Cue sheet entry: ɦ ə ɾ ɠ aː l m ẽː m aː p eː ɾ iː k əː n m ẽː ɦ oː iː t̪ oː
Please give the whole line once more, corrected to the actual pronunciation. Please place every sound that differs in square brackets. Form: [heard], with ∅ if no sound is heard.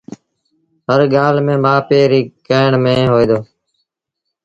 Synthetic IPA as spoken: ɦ ə ɾ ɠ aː l m ẽː m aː p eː ɾ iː k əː [ɳ] m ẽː ɦ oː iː [d̪] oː